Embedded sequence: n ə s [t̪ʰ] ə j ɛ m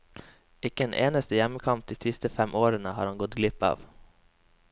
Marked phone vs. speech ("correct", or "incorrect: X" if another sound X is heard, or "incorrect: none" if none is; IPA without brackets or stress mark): incorrect: t̪